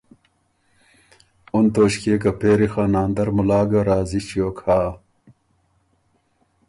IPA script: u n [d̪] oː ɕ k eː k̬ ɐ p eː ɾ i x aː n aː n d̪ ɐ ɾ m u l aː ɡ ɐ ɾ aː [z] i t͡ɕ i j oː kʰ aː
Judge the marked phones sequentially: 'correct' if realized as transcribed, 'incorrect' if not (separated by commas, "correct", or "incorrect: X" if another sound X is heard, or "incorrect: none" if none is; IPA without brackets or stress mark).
incorrect: t̪, correct